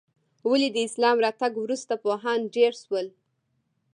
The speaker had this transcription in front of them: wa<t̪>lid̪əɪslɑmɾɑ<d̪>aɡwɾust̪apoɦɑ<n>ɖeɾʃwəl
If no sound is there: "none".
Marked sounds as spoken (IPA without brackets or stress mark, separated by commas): none, t̪, n